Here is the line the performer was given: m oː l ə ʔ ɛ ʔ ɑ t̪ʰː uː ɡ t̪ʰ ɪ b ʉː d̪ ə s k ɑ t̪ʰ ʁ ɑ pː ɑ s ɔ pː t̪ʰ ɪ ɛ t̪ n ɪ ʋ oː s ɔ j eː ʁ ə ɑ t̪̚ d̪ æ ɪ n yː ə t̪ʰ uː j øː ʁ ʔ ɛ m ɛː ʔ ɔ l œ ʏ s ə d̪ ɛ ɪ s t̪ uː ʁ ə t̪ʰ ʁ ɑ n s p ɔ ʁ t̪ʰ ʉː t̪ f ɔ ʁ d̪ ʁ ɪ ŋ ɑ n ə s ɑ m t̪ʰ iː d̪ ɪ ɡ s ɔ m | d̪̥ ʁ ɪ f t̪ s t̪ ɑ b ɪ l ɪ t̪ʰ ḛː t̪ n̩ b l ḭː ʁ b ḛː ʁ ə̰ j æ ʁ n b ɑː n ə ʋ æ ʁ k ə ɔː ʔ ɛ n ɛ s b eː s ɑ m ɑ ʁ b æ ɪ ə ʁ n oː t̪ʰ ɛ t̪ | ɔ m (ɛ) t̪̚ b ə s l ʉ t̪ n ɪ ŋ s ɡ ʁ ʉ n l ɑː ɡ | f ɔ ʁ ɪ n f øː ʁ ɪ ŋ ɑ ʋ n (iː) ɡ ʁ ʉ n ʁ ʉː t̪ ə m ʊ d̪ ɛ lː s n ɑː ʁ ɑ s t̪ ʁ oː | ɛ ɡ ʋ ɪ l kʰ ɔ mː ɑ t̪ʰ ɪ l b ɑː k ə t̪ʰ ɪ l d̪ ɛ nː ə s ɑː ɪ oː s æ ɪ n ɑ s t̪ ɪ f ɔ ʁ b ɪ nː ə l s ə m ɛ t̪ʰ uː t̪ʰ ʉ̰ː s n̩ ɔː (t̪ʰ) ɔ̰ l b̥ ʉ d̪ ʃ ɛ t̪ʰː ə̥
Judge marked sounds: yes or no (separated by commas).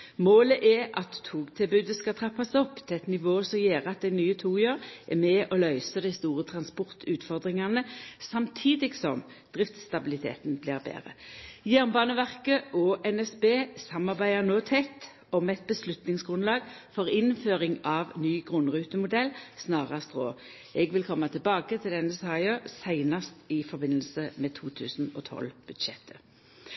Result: yes, no, yes